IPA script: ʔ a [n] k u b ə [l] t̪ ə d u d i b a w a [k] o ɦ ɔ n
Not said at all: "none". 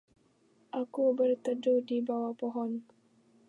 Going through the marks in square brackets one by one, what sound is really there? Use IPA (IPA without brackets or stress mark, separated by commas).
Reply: none, r, p